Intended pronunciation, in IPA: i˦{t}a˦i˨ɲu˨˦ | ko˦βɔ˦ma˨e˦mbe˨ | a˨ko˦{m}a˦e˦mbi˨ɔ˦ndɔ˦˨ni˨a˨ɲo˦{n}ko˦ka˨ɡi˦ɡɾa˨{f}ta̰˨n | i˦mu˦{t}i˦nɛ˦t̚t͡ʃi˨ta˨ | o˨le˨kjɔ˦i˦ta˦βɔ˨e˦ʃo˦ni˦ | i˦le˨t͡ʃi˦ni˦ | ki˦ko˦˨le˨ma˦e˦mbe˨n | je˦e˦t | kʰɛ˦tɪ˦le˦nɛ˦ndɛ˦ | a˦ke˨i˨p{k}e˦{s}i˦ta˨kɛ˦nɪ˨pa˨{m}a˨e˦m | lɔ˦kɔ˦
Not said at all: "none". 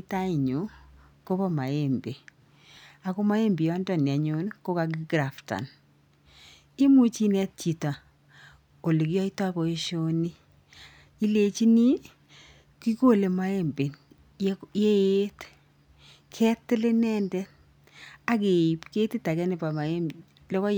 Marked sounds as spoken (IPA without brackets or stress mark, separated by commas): t, m, n, f, t͡ʃ, k, t, m